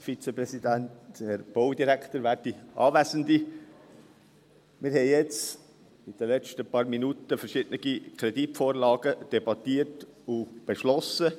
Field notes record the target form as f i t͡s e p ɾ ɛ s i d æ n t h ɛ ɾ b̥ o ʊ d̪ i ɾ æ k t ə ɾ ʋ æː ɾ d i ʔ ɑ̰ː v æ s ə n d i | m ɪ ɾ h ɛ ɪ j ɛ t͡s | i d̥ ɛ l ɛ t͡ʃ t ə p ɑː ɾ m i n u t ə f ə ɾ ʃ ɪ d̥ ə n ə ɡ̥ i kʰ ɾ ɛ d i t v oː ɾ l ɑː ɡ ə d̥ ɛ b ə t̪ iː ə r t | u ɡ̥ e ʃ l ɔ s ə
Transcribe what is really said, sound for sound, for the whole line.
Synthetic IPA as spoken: f i t͡s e p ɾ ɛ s i d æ n t h ɛ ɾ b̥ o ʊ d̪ i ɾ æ k t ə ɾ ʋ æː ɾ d i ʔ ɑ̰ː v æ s ə n d i | m ɪ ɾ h ɛ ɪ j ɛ t͡s | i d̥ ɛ l ɛ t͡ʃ t ə p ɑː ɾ m i n u t ə f ə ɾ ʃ ɪ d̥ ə n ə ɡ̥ i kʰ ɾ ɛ d i t f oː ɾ l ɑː ɡ ə d̥ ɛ b ɑ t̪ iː ə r t | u b̥ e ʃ l ɔ s ə

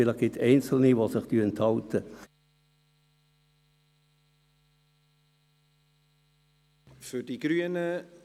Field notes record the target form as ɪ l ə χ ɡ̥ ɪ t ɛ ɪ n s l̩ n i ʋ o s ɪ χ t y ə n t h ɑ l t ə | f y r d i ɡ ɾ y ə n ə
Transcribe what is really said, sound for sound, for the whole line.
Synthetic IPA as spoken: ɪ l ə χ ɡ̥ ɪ t ɛ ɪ n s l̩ n i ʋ o s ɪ χ t y ə n t h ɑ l t ə | f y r d i ɡ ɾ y ə n ə

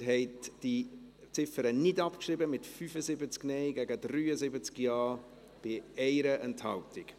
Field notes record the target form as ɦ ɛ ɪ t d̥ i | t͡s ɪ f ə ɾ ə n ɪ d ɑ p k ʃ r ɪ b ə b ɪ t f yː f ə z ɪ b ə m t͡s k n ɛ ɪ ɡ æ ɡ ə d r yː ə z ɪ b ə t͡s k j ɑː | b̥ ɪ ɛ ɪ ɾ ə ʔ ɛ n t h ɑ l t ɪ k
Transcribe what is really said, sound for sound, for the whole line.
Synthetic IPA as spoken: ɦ ɛ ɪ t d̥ i | t͡s ɪ f ə ɾ ə n ɪ d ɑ p k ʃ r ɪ b ə m ɪ t f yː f ə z ɪ b ə t͡s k n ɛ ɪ ɡ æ ɡ ə d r yː ə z ɪ b ə t͡s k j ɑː | b̥ ɪ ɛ ɪ ɾ ə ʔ ɛ n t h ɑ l t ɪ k

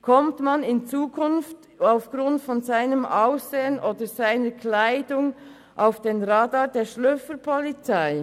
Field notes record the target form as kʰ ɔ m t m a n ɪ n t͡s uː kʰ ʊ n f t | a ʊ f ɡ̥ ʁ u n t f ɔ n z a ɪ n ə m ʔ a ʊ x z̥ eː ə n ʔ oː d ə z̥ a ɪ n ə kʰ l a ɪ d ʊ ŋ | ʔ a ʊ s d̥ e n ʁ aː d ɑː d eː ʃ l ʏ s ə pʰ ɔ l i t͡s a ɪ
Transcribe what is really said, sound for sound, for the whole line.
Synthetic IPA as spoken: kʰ ɔ m t m a n ɪ n t͡s uː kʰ ʊ n f t | a ʊ f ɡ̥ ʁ ʊ n t f ɔ n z a ɪ n ə m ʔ a ʊ s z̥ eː ə n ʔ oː d ə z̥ a ɪ n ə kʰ l a ɪ d ʊ ŋ | ʔ a ʊ f d̥ e n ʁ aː d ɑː d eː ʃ l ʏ f ə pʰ ɔ l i t͡s a ɪ

